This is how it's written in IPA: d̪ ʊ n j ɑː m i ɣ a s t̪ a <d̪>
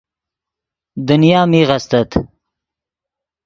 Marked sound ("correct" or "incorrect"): incorrect